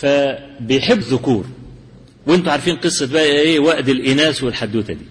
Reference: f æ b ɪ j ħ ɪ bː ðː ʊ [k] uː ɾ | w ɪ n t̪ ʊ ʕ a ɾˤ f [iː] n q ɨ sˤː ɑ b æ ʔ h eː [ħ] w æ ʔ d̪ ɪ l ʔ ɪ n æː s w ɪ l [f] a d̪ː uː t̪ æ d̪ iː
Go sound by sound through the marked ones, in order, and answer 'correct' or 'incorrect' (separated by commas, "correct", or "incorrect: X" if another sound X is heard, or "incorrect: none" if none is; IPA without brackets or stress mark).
correct, correct, incorrect: none, incorrect: ħ